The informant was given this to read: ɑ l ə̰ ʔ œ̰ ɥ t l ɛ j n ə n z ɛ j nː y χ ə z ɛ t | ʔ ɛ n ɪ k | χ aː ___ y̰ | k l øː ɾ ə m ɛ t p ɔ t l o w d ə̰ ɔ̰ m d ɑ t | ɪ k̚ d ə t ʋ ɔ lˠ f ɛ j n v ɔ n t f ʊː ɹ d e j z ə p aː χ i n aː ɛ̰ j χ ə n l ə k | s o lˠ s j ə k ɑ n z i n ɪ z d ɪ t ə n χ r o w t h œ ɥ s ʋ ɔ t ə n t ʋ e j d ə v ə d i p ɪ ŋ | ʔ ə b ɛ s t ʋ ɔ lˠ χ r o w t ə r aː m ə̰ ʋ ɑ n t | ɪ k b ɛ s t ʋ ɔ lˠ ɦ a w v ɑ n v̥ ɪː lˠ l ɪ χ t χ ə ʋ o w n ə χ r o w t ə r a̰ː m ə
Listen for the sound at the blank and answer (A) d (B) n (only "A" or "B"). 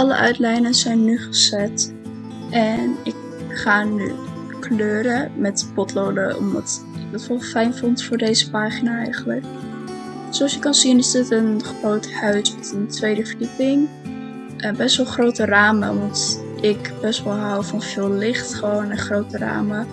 B